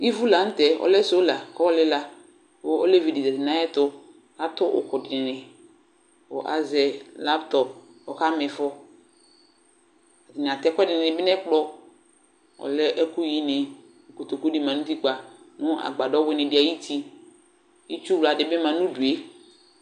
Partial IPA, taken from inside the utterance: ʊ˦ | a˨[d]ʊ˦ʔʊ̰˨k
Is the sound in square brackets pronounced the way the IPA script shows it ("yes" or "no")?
no